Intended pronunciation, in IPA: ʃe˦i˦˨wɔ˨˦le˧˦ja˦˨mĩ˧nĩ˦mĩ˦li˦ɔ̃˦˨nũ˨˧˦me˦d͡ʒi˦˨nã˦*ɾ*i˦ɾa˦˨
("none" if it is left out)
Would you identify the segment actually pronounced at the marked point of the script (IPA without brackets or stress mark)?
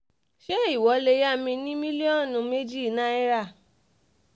none